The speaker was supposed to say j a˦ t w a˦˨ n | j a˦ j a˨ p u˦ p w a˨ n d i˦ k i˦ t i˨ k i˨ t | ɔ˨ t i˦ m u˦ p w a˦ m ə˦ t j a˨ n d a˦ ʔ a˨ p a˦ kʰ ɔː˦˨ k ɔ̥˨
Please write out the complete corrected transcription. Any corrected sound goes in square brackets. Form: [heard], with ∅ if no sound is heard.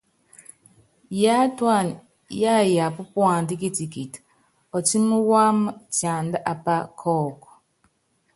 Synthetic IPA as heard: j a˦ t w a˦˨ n | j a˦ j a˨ p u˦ p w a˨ n d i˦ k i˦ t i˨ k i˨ t | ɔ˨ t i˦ m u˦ [∅] w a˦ m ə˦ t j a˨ n d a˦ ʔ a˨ p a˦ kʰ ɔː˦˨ k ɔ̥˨